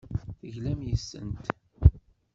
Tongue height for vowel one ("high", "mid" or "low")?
mid